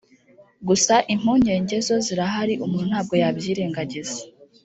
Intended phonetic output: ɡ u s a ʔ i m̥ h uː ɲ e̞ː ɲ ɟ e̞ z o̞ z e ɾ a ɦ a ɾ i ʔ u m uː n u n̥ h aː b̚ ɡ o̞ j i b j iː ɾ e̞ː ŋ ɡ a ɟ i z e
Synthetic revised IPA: ɡ u s a ʔ i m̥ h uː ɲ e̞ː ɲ ɟ e̞ z o̞ z i ɾ a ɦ a ɾ i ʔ u m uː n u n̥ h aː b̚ ɡ o̞ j a b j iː ɾ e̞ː ŋ ɡ a ɟ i z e